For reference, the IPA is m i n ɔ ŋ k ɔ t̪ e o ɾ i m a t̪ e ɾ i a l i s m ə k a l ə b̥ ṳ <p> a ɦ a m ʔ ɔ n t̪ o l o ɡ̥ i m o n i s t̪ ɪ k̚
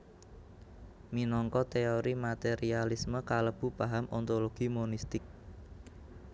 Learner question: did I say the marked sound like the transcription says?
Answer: yes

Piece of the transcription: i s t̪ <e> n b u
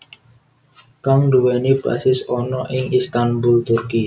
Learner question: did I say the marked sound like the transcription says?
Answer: no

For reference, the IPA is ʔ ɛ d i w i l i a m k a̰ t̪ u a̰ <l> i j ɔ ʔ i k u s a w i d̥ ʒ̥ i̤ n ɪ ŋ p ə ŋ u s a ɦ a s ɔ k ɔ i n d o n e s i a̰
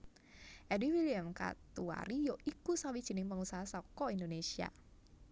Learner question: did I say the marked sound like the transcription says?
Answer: no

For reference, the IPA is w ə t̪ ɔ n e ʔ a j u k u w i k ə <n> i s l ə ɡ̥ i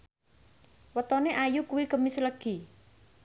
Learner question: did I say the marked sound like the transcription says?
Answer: no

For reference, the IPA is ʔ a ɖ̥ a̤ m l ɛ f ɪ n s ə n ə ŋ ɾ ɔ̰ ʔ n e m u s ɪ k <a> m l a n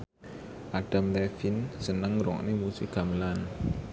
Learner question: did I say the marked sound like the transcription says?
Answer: yes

